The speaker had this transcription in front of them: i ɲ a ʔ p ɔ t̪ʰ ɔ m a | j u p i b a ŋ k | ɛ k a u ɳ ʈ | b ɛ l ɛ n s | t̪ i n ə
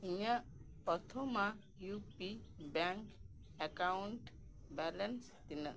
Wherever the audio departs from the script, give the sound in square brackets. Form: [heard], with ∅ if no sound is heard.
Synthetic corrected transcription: i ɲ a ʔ p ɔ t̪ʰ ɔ m a | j u p i b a ŋ k | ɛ k a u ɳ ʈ | b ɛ l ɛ n s | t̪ i n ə